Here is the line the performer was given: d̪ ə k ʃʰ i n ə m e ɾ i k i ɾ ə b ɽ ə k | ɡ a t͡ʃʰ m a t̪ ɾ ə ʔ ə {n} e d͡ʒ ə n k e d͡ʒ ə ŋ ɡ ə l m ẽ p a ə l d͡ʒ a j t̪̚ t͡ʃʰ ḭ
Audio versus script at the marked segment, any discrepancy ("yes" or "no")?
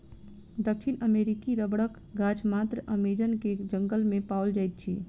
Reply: yes